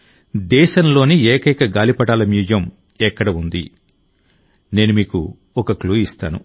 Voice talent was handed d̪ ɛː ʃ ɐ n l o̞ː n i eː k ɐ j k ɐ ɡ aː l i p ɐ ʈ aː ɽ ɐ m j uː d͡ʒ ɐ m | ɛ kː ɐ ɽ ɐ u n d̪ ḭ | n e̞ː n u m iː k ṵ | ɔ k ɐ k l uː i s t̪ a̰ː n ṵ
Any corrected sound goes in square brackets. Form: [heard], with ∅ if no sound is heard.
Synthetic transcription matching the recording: d̪ ɛː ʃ ɐ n l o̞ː n i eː k ɐ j k ɐ ɡ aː l i p ɐ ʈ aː [l] ɐ m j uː d͡ʒ ɐ m | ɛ kː ɐ ɽ ɐ u n d̪ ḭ | n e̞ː n u m iː k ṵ | ɔ k ɐ k l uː i s t̪ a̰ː n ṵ

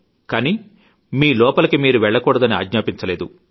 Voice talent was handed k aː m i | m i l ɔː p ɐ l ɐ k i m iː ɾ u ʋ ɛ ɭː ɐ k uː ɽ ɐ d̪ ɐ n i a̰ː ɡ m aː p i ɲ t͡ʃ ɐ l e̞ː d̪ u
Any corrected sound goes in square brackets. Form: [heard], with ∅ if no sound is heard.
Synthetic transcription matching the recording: k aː [n] i | m [iː] l ɔː p ɐ l ɐ k i m iː ɾ u ʋ ɛ ɭː ɐ k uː ɽ ɐ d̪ ɐ n i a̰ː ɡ [ɲ] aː p i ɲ t͡ʃ ɐ l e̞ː d̪ u

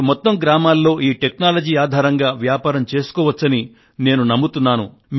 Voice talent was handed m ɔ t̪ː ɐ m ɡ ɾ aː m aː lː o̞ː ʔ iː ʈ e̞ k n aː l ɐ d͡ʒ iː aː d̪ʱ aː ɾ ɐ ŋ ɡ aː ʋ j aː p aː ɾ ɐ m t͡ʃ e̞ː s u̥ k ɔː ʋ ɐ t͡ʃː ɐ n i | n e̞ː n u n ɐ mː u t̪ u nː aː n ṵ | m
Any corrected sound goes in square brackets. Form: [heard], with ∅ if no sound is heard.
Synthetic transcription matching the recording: m ɔ t̪ː ɐ m ɡ ɾ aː m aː lː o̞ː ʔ iː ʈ e̞ k n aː l ɐ d͡ʒ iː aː d̪ʱ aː ɾ ɐ ŋ ɡ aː ʋ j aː p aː ɾ ɐ m t͡ʃ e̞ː s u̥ k ɔː ʋ ɐ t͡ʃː ɐ n i | n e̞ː n u n ɐ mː u t̪ u nː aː n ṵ | m

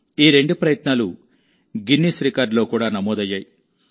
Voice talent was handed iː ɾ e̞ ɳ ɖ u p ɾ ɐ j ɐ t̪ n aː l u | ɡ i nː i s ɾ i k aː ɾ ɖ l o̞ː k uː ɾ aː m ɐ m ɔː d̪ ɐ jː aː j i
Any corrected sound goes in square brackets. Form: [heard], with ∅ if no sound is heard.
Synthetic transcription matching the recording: iː ɾ e̞ ɳ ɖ u p ɾ ɐ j ɐ t̪ n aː l u | ɡ i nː i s ɾ i k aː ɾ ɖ l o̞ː k uː [ɽ] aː [n] ɐ m ɔː d̪ ɐ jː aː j i

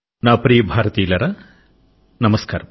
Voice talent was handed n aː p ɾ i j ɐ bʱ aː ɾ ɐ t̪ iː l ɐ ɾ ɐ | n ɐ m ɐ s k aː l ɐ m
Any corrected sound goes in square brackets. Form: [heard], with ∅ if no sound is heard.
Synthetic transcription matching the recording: n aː p ɾ i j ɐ bʱ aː ɾ ɐ t̪ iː l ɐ ɾ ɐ | n ɐ m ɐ s k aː [ɾ] ɐ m

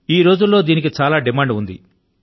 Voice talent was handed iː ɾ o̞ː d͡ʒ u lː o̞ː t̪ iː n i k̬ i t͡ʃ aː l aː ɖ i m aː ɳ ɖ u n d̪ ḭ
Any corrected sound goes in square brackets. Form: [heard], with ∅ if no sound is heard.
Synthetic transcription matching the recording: iː ɾ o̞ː d͡ʒ u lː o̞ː [d̪] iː n i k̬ i t͡ʃ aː l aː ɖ i m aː ɳ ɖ u n d̪ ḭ

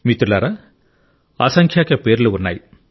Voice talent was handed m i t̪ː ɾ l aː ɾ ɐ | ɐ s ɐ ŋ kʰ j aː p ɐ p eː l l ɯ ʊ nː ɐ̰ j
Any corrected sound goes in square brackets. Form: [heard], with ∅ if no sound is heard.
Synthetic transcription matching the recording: m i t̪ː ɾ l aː ɾ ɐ | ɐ s ɐ ŋ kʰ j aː [k] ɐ p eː [ɾ] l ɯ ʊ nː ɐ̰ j

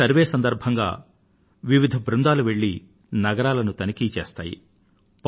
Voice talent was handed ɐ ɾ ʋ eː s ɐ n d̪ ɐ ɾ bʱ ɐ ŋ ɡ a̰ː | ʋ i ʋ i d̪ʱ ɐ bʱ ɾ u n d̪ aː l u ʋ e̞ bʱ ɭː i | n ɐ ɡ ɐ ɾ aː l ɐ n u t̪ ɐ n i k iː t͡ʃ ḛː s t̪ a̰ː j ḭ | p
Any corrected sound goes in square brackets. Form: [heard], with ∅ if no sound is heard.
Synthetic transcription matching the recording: ɐ ɾ ʋ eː s ɐ n d̪ ɐ ɾ bʱ ɐ ŋ ɡ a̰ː | ʋ i ʋ i d̪ʱ ɐ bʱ ɾ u n d̪ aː l u ʋ e̞ [∅] ɭː i | n ɐ ɡ ɐ ɾ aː l ɐ n u t̪ ɐ n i k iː t͡ʃ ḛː s t̪ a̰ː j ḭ | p

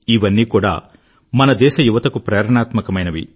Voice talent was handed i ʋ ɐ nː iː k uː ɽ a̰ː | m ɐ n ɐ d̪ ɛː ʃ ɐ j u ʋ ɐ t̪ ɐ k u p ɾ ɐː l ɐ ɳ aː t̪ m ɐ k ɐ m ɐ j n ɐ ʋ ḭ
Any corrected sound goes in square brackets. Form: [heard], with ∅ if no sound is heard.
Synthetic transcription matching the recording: i ʋ ɐ nː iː k uː ɽ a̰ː | m ɐ n ɐ d̪ ɛː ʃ ɐ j u ʋ ɐ t̪ ɐ k u p ɾ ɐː [ɾ] ɐ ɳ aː t̪ m ɐ k ɐ m ɐ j n ɐ ʋ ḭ

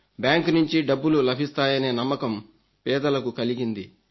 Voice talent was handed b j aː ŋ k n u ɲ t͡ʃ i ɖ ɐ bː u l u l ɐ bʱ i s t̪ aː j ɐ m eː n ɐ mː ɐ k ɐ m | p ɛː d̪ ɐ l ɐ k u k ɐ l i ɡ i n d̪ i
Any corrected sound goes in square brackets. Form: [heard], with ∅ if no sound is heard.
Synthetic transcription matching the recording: b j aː ŋ k n u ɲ t͡ʃ i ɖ ɐ bː u l u l ɐ bʱ i s t̪ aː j ɐ [n] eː n ɐ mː ɐ k ɐ m | p ɛː d̪ ɐ l ɐ k u k ɐ l i ɡ i n d̪ i

